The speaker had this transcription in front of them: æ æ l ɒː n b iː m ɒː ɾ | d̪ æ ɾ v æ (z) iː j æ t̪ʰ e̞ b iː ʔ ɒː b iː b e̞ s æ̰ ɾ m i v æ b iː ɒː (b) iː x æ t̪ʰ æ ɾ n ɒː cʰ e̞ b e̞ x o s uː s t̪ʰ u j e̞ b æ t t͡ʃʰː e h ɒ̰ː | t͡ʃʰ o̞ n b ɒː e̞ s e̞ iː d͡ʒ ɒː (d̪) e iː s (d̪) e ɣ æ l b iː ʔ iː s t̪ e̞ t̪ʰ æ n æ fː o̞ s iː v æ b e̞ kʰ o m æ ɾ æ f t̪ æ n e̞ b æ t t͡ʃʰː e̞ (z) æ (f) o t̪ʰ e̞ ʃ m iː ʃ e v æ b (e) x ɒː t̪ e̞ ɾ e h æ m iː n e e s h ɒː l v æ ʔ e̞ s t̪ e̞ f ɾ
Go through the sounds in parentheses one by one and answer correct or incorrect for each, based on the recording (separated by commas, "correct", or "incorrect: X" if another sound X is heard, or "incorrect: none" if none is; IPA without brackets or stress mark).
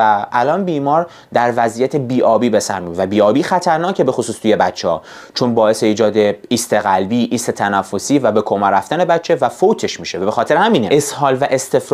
correct, correct, correct, incorrect: t̪, incorrect: v, correct, correct